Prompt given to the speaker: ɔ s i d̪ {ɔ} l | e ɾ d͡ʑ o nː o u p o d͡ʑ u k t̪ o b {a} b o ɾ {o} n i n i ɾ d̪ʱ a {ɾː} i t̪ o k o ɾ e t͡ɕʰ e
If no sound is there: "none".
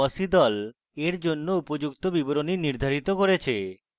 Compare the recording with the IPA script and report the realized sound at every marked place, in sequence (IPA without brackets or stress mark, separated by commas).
ɔ, i, o, ɾ